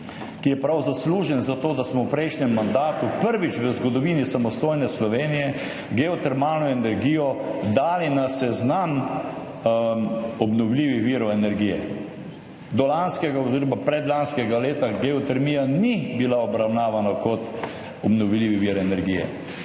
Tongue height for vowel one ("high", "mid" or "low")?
high